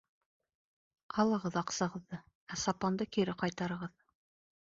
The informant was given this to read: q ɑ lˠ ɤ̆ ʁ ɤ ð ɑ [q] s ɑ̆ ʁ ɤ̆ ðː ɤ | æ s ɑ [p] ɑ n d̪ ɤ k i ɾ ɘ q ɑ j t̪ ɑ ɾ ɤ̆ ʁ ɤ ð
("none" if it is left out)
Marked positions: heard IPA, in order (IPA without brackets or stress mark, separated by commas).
q, p